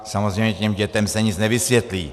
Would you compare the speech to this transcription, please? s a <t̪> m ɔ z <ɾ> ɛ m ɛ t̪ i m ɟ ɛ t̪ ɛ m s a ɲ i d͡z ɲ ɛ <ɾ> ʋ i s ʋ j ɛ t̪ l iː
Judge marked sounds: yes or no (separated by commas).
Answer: no, yes, no